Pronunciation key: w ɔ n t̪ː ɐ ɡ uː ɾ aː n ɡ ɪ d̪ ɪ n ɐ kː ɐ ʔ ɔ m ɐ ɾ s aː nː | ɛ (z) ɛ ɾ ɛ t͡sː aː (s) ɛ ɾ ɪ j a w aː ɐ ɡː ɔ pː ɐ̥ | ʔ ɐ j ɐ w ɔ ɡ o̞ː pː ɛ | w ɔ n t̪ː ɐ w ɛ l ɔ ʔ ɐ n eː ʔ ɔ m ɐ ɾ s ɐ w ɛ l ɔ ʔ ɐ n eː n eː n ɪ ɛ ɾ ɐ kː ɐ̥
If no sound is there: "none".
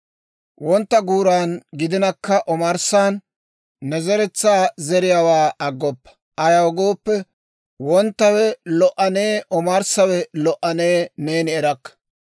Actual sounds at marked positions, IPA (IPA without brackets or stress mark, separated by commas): z, z